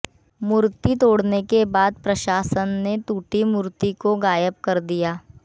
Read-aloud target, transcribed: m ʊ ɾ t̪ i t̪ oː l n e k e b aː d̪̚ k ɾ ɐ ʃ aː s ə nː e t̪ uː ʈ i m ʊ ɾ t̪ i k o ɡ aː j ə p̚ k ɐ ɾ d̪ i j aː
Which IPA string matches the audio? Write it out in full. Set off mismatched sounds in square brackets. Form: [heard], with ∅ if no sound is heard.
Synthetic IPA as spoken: m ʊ ɾ t̪ i t̪ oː [ɽ] n e k e b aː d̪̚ [p] ɾ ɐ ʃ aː s ə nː e t̪ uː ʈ i m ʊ ɾ t̪ i k o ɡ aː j ə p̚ k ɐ ɾ d̪ i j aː